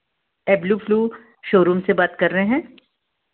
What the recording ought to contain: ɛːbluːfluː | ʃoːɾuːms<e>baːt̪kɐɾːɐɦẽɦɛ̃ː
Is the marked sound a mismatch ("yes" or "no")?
no